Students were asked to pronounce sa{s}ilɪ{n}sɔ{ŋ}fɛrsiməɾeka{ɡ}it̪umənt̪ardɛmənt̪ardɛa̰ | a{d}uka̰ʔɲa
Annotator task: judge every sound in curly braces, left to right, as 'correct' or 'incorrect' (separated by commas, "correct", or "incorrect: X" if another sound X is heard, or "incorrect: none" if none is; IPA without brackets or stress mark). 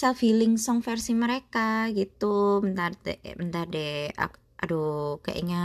incorrect: f, incorrect: ŋ, correct, correct, correct